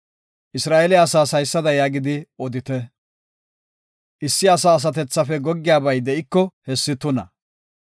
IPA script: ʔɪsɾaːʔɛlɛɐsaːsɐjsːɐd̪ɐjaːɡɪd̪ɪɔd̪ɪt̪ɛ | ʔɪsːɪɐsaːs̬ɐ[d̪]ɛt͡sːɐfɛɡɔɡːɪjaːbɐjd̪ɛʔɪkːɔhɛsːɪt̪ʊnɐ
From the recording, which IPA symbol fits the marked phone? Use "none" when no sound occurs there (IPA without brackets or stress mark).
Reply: t̪